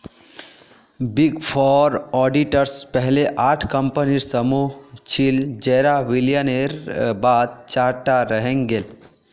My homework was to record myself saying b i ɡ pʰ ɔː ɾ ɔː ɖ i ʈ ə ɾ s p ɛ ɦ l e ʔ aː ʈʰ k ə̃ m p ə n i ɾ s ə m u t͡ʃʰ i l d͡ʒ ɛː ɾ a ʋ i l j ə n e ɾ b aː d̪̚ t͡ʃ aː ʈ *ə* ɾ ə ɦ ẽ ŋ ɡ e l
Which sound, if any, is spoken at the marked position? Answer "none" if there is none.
a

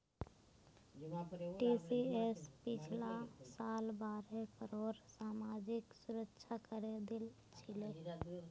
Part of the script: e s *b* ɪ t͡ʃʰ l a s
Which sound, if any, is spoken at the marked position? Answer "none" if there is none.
p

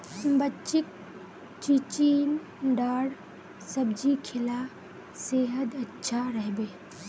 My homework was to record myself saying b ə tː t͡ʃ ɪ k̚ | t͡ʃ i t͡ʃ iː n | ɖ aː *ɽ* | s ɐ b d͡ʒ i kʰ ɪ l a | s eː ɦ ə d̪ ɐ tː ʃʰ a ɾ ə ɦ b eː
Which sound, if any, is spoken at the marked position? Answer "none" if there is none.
ɽ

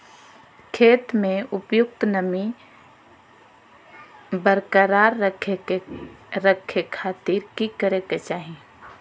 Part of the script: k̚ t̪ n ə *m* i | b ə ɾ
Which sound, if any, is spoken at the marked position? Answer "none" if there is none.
m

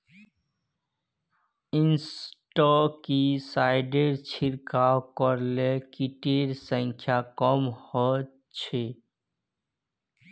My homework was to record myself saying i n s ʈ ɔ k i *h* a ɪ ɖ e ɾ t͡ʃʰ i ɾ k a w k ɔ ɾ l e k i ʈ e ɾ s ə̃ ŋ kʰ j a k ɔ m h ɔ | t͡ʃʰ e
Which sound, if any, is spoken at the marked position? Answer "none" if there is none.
s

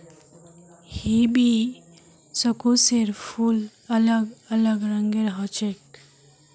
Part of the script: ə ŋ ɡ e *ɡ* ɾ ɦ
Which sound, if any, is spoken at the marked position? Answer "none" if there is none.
none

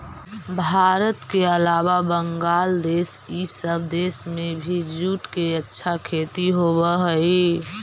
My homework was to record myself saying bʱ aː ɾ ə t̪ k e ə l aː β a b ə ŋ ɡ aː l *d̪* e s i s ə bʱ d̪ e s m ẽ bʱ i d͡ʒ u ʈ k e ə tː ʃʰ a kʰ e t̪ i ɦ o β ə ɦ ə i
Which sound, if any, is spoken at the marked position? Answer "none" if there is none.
d̪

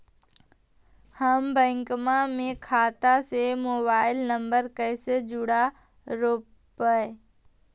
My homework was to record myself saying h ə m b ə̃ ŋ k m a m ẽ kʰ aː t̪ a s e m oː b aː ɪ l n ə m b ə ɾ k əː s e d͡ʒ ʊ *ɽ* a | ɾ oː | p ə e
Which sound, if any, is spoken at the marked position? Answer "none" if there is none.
ɽ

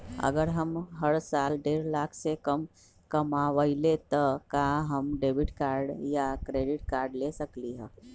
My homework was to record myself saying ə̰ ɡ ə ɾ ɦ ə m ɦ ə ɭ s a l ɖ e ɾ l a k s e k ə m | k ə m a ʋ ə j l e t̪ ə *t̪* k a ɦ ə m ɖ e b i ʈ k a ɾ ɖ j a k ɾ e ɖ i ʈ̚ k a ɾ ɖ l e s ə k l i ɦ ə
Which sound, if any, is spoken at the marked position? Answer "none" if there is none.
none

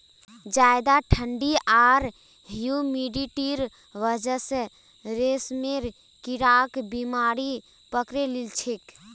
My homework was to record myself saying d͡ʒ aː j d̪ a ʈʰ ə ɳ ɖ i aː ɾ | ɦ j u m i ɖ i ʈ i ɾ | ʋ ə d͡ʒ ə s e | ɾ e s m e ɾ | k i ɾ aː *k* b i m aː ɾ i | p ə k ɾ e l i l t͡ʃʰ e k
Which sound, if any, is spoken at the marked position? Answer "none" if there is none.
k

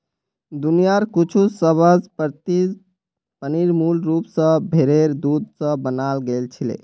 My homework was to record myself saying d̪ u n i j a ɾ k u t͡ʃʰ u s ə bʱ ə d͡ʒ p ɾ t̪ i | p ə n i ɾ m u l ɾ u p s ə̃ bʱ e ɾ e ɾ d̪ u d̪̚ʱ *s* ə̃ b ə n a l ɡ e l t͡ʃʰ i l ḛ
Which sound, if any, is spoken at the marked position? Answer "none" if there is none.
s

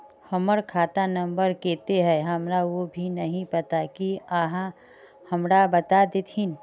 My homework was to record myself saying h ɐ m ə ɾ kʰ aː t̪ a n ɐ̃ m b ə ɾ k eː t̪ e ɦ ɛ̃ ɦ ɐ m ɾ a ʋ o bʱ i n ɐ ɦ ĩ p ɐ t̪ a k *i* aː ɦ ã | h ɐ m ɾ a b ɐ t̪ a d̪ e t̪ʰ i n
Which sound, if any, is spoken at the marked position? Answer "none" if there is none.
i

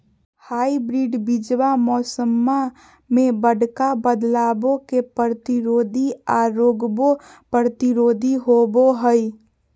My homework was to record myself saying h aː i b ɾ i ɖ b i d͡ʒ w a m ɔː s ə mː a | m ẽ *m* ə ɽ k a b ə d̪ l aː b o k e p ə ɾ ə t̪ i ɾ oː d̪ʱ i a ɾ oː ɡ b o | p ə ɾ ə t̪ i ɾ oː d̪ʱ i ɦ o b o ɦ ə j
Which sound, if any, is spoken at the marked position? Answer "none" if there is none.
b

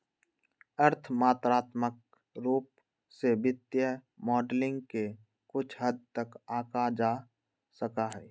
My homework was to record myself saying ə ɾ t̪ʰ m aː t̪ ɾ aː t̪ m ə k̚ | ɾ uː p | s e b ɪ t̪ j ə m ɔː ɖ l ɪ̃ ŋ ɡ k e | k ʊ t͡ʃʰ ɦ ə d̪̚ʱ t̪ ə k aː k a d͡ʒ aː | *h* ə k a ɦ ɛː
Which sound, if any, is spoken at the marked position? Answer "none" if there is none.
s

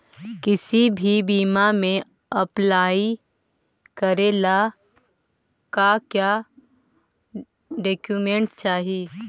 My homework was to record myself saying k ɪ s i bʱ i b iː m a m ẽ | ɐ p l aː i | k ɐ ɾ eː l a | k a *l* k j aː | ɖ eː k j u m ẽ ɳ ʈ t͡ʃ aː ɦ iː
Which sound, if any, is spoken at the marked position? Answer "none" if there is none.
none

